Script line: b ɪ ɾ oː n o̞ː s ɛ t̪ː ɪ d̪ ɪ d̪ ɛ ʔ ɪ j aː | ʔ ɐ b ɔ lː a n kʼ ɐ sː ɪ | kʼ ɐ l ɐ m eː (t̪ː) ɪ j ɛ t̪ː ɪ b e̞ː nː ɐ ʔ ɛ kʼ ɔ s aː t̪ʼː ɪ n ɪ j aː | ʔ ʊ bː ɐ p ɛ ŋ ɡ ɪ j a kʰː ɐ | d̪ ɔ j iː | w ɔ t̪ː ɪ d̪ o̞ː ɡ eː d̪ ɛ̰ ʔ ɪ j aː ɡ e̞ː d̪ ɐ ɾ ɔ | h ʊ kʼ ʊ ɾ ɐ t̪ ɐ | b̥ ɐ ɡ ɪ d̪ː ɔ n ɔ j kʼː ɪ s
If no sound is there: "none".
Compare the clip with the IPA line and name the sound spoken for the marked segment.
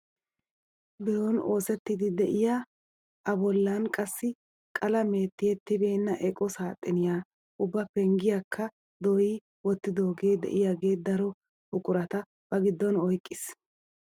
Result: t̪ː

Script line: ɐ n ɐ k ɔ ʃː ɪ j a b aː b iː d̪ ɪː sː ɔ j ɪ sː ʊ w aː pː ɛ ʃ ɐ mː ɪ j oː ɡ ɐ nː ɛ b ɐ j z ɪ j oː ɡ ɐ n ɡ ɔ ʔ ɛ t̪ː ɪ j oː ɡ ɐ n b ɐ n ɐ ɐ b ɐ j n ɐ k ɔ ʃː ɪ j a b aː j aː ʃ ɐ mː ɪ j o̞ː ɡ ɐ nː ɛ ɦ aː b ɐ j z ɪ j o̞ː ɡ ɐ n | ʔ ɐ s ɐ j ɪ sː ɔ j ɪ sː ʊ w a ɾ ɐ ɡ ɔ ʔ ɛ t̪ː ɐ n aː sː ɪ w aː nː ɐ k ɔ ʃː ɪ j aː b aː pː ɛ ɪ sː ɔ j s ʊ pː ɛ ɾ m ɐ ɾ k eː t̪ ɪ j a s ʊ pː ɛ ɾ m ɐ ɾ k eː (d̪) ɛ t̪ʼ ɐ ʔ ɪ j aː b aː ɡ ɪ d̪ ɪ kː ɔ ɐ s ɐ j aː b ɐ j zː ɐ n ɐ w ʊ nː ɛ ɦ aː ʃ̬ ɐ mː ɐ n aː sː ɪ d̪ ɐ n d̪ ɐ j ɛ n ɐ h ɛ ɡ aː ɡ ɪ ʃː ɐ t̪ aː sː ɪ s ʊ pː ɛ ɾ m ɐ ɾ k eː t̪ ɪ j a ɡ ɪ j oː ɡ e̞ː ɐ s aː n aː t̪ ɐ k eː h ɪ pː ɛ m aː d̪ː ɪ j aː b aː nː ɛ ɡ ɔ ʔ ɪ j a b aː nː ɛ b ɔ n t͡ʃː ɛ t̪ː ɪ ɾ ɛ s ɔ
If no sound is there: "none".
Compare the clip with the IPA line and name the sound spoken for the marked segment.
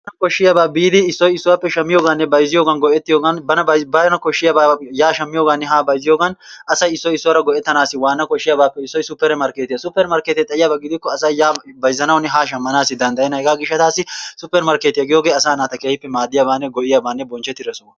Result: t̪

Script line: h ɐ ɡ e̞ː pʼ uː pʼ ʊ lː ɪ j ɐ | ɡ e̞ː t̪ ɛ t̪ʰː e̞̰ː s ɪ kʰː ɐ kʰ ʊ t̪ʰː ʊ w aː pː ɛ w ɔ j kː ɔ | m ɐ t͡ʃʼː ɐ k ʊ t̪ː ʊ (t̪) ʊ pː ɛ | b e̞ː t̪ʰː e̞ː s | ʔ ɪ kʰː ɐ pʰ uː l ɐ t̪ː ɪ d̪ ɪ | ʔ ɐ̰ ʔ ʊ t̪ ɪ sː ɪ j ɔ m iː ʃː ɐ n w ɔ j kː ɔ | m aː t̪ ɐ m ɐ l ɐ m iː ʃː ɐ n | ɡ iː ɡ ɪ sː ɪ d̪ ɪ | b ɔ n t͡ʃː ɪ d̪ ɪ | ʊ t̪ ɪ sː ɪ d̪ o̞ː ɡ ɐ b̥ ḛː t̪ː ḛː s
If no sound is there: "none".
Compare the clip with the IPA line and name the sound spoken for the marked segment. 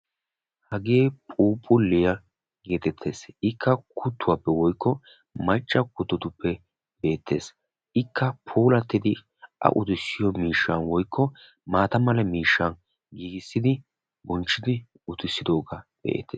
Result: t̪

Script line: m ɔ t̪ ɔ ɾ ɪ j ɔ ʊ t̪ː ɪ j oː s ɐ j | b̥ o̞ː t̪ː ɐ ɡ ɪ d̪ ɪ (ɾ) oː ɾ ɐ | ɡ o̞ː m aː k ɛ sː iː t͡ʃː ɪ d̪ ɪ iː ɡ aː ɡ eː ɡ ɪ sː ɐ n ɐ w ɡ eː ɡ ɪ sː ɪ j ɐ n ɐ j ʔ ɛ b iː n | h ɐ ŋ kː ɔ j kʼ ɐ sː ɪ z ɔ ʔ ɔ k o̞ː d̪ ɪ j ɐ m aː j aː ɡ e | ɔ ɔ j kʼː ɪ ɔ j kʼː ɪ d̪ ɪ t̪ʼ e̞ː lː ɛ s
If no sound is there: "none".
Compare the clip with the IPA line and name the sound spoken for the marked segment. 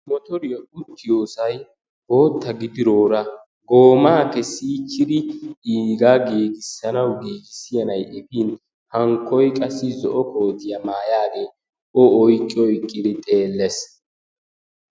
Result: ɾ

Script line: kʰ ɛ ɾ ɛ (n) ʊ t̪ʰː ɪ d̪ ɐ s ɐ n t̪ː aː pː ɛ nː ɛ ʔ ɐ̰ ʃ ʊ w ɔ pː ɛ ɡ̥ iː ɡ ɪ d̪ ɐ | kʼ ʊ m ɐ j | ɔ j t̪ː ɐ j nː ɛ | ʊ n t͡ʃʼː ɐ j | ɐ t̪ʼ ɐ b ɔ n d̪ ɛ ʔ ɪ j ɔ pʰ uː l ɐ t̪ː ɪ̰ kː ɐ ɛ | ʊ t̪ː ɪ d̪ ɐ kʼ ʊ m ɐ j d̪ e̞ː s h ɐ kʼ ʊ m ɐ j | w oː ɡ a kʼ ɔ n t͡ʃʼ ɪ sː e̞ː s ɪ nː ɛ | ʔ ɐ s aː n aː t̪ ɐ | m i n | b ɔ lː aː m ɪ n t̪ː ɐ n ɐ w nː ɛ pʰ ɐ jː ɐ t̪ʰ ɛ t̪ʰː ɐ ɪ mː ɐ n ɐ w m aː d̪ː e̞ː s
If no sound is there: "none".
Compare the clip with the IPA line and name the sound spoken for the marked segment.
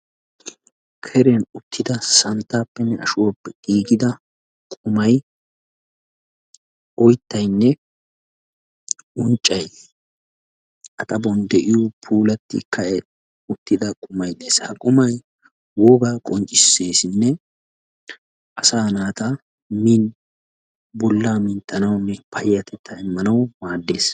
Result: n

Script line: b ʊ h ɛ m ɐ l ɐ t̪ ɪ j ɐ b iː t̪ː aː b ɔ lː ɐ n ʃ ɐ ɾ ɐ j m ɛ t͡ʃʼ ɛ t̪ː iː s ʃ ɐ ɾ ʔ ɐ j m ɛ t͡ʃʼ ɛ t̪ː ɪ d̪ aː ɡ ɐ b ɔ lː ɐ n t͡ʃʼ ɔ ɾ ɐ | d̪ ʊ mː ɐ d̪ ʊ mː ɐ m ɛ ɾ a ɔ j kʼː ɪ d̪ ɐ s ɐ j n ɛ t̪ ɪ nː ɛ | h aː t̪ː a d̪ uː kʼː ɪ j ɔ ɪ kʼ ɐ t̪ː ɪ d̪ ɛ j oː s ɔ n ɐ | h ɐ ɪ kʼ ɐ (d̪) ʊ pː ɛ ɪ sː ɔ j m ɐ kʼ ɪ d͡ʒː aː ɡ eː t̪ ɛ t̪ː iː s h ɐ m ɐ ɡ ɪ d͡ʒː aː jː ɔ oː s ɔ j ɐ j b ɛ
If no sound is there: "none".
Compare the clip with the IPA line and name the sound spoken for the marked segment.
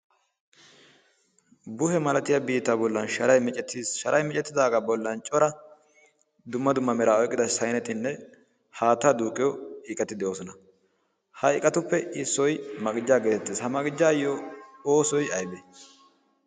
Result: t̪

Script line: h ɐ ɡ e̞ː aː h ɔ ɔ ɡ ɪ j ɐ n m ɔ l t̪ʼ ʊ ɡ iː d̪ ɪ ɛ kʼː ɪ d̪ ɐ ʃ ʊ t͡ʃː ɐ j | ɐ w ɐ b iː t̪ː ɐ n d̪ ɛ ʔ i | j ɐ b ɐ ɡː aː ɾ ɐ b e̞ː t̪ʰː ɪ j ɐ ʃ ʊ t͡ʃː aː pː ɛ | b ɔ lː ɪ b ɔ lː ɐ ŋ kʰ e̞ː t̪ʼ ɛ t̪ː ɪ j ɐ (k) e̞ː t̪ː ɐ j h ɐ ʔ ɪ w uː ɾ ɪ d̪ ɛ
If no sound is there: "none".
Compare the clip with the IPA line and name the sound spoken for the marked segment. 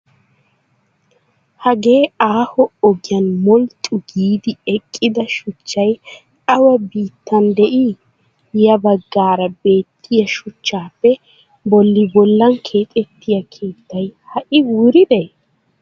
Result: kʰ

